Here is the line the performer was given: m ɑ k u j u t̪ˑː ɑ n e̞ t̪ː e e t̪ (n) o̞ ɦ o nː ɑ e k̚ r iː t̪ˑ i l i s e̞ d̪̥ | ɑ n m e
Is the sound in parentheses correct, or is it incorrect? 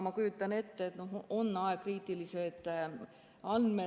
correct